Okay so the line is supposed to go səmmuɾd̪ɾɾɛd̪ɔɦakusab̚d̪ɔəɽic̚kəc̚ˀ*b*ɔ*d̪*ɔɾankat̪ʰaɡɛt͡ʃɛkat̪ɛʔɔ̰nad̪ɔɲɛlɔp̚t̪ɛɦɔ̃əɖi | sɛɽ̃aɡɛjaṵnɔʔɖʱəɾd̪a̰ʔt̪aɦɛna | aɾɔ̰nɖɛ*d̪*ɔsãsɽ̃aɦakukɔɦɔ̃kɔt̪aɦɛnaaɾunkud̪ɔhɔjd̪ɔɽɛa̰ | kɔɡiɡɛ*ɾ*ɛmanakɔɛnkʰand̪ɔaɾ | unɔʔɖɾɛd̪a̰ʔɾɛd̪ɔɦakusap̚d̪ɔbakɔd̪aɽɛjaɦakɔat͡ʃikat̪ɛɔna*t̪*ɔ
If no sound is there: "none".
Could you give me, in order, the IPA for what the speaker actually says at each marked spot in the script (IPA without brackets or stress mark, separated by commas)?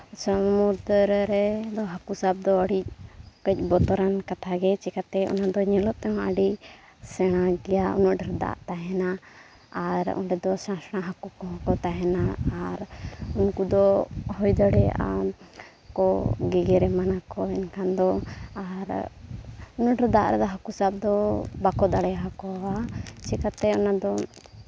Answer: b, t̪, d̪, ɾ, d̪